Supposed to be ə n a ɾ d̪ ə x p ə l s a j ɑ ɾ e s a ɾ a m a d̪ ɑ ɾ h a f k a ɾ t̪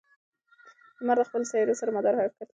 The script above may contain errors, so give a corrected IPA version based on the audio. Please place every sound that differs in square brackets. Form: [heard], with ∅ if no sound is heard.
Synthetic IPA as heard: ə [m] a ɾ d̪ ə x p ə l s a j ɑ ɾ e s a ɾ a m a d̪ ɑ ɾ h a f k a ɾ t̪